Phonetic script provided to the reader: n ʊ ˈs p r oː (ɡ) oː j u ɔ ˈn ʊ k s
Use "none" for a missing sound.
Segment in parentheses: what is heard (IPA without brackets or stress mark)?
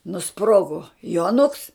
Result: ɡ